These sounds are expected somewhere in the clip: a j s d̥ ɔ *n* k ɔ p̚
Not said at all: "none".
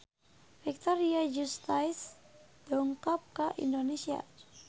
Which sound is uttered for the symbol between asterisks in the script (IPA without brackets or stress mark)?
ŋ